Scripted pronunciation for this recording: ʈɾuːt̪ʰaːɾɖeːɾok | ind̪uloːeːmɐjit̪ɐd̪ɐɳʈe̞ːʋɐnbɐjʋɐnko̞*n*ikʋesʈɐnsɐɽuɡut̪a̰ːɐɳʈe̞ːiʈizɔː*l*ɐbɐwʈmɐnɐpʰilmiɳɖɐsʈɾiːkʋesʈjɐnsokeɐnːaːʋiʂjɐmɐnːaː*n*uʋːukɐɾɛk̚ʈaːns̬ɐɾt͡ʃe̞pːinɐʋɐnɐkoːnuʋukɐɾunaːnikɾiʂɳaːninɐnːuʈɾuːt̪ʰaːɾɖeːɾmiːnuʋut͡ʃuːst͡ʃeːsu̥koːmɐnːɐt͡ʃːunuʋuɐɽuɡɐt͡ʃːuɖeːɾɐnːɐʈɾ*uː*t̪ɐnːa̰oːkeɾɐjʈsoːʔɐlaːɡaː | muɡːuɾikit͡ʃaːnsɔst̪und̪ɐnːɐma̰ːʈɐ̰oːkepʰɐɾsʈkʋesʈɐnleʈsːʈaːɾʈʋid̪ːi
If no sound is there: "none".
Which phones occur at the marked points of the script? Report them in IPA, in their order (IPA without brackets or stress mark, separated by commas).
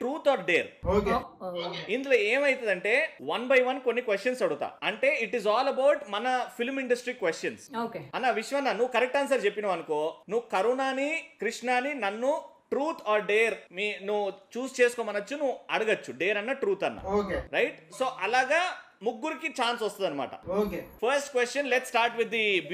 nː, l, n, uː